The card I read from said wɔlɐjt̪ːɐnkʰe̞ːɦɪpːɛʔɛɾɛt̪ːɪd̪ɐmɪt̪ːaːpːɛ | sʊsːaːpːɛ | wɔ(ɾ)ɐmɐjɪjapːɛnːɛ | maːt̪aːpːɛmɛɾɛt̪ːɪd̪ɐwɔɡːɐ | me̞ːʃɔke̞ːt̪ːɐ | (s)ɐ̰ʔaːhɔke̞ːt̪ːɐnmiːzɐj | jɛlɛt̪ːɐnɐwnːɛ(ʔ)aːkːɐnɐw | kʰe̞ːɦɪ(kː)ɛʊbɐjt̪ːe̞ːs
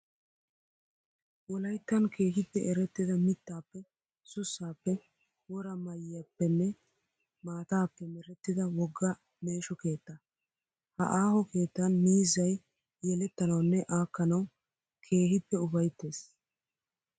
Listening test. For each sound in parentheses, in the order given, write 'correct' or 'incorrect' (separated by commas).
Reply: correct, incorrect, correct, incorrect